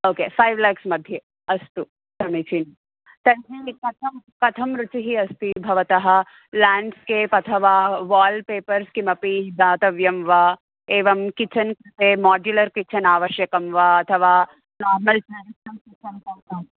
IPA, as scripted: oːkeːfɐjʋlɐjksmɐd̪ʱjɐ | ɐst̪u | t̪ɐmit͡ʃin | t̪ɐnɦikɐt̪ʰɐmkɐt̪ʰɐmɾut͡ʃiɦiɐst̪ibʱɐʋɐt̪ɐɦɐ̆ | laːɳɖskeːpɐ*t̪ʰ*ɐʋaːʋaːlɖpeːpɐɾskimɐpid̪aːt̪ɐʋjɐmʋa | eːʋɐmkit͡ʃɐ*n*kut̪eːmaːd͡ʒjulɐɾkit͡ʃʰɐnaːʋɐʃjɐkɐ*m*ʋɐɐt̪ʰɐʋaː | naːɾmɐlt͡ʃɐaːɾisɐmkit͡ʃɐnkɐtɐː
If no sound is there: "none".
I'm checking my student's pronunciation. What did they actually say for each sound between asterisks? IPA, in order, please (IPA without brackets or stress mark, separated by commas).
t̪ʰ, n, m